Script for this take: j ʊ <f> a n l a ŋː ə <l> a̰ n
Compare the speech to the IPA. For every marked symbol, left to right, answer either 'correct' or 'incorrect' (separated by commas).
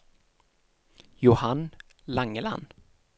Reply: incorrect, correct